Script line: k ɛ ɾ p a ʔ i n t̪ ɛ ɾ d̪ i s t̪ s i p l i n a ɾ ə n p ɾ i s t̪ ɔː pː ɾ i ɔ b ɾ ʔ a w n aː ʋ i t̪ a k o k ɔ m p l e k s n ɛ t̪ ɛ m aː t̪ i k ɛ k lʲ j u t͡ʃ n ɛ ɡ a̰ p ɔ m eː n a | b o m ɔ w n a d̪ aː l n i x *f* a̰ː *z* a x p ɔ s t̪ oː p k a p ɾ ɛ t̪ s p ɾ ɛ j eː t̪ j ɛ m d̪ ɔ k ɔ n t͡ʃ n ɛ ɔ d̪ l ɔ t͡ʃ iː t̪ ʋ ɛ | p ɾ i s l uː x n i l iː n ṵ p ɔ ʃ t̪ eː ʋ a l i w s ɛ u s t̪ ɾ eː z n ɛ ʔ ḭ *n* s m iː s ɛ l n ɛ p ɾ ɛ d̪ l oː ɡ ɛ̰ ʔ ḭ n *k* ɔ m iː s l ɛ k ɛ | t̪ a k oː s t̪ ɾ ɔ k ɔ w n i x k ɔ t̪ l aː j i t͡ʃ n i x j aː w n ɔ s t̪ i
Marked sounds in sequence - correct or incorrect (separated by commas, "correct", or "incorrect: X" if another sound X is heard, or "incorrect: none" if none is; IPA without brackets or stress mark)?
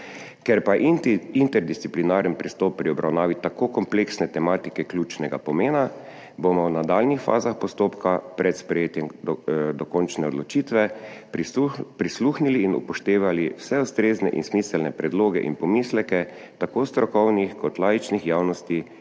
correct, correct, correct, incorrect: p